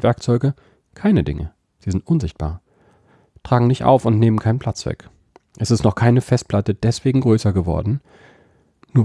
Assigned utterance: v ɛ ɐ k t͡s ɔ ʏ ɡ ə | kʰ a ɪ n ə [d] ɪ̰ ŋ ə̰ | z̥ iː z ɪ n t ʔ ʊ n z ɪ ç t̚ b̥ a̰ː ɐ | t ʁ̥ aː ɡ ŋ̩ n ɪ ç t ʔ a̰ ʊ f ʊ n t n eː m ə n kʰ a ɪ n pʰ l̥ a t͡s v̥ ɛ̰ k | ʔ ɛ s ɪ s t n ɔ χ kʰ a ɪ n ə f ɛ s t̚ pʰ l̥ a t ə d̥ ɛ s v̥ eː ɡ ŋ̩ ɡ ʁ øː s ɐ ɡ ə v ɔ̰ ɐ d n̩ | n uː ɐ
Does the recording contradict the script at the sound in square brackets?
no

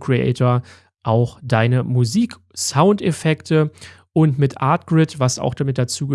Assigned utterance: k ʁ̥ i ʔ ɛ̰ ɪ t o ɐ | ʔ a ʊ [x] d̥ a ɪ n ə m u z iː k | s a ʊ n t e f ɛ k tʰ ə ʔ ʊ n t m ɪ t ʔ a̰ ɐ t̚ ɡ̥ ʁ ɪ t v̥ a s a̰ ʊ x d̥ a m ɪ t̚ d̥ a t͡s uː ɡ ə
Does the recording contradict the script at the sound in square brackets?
no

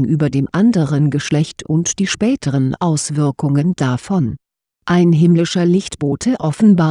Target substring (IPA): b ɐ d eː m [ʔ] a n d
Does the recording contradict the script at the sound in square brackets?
no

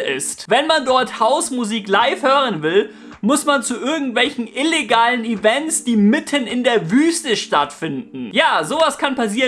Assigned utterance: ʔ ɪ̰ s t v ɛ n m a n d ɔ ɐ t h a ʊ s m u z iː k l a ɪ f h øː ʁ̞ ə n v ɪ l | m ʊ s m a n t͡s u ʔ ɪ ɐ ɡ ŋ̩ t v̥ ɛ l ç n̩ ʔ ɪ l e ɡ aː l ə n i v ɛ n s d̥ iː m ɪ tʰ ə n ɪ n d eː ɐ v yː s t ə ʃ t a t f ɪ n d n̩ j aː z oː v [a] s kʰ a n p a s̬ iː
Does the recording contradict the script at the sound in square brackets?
no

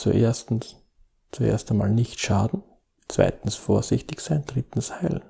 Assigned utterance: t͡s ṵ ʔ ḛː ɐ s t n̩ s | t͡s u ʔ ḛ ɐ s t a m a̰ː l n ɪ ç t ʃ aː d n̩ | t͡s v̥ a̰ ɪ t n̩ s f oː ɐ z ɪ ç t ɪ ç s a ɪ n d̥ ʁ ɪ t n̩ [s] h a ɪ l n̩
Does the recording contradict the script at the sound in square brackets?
no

